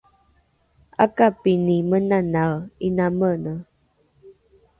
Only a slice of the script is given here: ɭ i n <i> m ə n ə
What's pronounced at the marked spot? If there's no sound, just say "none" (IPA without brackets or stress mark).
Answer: a